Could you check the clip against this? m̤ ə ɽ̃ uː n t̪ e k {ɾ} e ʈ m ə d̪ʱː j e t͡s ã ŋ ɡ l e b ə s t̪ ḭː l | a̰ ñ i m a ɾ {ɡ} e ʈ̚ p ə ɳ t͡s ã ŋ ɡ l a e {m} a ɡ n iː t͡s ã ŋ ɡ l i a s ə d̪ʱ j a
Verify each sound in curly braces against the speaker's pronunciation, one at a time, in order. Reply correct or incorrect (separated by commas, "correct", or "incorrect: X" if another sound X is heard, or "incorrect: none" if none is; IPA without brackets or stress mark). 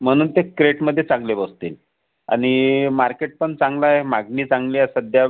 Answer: correct, incorrect: k, correct